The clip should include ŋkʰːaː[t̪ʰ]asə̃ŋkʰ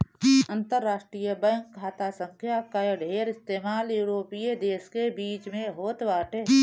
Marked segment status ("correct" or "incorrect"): incorrect